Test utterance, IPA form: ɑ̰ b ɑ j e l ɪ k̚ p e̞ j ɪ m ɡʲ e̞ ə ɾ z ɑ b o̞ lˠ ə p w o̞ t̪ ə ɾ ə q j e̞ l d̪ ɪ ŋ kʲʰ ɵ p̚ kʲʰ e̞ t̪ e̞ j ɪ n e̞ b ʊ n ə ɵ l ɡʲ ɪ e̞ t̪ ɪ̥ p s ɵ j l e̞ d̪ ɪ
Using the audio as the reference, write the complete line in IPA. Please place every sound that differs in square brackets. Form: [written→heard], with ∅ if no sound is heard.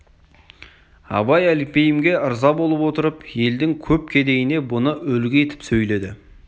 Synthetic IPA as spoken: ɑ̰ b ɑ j [e→æ] l ɪ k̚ p e̞ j ɪ m ɡʲ e̞ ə ɾ z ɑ b o̞ lˠ ə p w o̞ t̪ ə ɾ ə [q→p] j e̞ l d̪ ɪ ŋ kʲʰ ɵ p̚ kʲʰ e̞ [t̪→d̪] e̞ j ɪ n e̞ b ʊ n ə ɵ l ɡʲ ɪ e̞ t̪ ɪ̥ p s ɵ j l e̞ d̪ ɪ

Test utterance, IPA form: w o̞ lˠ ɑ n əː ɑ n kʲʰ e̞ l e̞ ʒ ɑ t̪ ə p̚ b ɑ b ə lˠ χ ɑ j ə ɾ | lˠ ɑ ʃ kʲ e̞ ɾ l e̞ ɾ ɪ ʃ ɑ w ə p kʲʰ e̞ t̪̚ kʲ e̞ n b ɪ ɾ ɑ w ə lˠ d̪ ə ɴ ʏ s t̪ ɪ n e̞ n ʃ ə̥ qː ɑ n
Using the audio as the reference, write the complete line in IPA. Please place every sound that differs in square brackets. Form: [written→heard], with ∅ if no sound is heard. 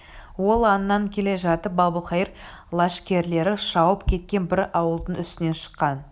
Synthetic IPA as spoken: w o̞ lˠ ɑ n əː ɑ [n→ŋ] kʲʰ e̞ l e̞ ʒ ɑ t̪ ə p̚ b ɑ b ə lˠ χ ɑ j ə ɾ | lˠ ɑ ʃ kʲ e̞ ɾ l e̞ ɾ ɪ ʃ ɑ w ə p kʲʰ e̞ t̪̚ kʲ e̞ n b ɪ ɾ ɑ w ə lˠ d̪ ə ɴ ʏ s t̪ ɪ n e̞ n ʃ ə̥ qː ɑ n

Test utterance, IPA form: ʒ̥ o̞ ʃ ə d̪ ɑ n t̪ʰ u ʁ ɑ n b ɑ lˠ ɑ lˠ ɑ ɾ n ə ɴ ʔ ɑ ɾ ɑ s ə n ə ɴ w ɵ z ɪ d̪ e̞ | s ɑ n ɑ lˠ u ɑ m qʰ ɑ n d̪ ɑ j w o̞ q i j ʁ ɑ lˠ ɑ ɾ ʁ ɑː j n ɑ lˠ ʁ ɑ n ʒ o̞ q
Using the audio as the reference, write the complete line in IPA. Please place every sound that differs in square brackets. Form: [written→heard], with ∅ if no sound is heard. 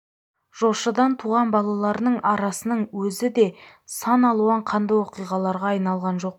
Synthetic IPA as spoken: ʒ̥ o̞ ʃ ə d̪ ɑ n t̪ʰ u ʁ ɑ n b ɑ lˠ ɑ lˠ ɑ ɾ n ə ɴ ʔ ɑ ɾ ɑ s ə n ə ɴ w ɵ z ɪ d̪ e̞ | s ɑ n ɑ lˠ u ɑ [m→ɴ] qʰ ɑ n d̪ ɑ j w o̞ q i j ʁ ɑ lˠ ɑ ɾ ʁ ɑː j n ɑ lˠ ʁ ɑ n ʒ o̞ q

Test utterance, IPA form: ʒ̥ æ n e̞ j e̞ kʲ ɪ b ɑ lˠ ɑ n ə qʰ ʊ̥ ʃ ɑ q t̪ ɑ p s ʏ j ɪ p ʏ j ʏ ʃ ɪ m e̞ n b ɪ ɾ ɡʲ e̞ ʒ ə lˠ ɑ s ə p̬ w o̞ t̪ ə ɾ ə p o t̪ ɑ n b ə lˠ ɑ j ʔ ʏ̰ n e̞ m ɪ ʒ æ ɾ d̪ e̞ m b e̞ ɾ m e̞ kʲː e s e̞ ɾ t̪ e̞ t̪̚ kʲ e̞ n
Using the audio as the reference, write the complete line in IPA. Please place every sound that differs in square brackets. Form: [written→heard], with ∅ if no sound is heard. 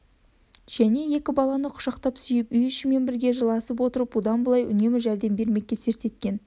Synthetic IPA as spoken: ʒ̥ æ n e̞ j e̞ kʲ ɪ b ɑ lˠ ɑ n ə qʰ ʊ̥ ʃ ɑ q t̪ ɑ p s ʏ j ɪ p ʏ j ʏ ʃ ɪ m e̞ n b ɪ ɾ ɡʲ e̞ ʒ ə lˠ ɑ s ə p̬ w o̞ t̪ ə ɾ ə p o [t̪→d̪] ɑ n b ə lˠ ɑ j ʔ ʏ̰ n e̞ m ɪ ʒ æ ɾ d̪ e̞ m b e̞ ɾ m e̞ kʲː e s e̞ ɾ t̪ e̞ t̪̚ kʲ e̞ n

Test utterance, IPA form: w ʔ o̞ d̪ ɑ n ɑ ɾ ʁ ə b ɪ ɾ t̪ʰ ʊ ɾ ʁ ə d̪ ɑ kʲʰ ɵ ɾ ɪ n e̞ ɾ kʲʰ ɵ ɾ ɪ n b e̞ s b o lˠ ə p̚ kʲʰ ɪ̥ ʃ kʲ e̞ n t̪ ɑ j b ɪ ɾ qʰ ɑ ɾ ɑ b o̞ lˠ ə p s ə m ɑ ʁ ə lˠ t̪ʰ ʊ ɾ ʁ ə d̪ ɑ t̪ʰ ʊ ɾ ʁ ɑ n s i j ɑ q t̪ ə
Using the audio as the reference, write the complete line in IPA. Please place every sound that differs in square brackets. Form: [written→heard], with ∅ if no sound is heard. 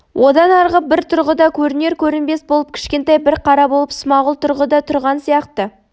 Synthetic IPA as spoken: w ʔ o̞ d̪ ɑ n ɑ ɾ ʁ ə b ɪ ɾ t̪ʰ ʊ ɾ ʁ ə d̪ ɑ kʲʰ ɵ ɾ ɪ n e̞ ɾ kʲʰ ɵ ɾ ɪ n b e̞ s b o lˠ ə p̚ kʲʰ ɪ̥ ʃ kʲ e̞ n t̪ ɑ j b ɪ ɾ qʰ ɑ ɾ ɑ b o̞ lˠ ə p s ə m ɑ ʁ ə lˠ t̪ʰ ʊ ɾ ʁ ə d̪ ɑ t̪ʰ ʊ ɾ ʁ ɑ n s i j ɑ q t̪ ə

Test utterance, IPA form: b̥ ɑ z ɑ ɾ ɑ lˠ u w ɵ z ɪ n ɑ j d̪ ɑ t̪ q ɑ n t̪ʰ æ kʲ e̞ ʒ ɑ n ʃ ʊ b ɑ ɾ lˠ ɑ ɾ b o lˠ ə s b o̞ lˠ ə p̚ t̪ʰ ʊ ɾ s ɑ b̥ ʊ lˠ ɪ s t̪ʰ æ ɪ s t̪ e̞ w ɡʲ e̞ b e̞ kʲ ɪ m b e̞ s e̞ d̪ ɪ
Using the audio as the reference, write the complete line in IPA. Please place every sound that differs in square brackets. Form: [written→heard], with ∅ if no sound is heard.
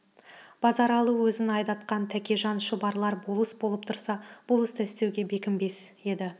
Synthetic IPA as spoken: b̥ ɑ z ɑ ɾ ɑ lˠ u w ɵ z ɪ n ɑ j d̪ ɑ t̪ q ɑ n t̪ʰ æ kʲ e̞ ʒ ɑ n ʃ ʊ b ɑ ɾ lˠ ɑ ɾ b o lˠ ə s b o̞ lˠ ə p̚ t̪ʰ ʊ ɾ s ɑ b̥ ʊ lˠ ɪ s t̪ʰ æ ɪ s t̪ e̞ w ɡʲ e̞ b e̞ kʲ ɪ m b e̞ s e̞ d̪ ɪ

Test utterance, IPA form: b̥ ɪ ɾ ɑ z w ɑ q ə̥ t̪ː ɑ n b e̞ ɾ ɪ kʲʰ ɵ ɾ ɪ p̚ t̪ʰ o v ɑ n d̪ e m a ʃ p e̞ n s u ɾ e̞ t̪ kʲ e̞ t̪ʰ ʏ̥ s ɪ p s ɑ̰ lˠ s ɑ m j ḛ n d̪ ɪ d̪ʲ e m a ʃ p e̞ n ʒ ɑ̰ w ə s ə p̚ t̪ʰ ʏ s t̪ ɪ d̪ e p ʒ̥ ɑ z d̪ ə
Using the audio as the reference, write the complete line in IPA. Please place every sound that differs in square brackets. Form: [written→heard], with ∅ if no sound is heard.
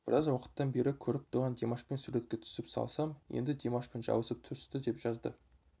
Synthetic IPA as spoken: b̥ ɪ ɾ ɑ z w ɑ q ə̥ t̪ː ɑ n b e̞ ɾ ɪ kʲʰ ɵ ɾ ɪ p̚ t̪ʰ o [v→ʁ] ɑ n d̪ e m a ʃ p e̞ n s u ɾ e̞ t̪ kʲ e̞ t̪ʰ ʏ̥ s ɪ p s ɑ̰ lˠ s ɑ m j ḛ n d̪ ɪ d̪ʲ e m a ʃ p e̞ n ʒ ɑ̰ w ə s ə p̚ t̪ʰ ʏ s t̪ ɪ d̪ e p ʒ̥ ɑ z d̪ ə

